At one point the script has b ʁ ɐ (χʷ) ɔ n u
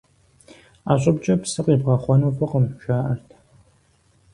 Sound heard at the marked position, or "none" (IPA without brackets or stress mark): χʷ